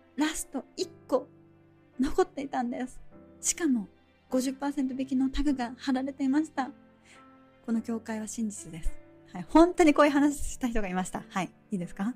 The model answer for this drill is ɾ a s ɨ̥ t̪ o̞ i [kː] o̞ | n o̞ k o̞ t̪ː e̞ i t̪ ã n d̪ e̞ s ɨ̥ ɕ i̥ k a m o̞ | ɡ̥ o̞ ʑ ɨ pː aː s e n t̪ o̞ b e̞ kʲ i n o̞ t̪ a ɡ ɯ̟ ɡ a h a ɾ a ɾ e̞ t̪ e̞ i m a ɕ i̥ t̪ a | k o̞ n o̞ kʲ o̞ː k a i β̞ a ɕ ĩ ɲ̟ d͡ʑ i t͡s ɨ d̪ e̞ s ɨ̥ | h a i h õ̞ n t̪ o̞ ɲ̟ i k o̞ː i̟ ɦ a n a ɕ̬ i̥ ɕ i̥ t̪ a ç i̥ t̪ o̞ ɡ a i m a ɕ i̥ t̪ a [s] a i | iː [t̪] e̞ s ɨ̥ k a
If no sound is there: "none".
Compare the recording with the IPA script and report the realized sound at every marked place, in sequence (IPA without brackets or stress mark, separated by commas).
kː, h, d̪